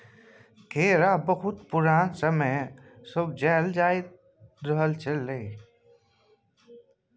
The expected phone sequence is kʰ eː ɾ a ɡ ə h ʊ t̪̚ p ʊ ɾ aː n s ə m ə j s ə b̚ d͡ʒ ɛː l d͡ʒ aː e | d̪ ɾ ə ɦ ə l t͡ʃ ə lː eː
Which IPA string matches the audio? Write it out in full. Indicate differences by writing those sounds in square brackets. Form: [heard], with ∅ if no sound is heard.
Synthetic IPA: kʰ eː ɾ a [b] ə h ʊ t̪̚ p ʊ ɾ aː n s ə m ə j s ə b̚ d͡ʒ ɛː l d͡ʒ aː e | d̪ ɾ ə ɦ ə l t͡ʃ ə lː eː